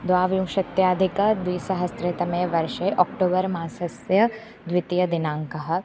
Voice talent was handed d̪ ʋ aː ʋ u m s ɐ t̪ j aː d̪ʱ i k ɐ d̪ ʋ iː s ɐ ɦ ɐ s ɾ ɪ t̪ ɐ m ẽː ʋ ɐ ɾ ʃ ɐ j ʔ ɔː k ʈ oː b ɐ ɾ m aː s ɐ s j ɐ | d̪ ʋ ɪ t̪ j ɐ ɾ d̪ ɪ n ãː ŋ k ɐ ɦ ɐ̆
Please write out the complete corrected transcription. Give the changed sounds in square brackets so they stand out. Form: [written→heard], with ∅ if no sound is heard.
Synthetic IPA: d̪ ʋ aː ʋ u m [s→ʃ] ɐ t̪ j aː d̪ʱ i k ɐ d̪ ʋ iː s ɐ ɦ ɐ s ɾ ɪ t̪ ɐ m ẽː ʋ ɐ ɾ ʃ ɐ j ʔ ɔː k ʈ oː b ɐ ɾ m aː s ɐ s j ɐ | d̪ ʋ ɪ t̪ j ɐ [ɾ→∅] d̪ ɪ n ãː ŋ k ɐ ɦ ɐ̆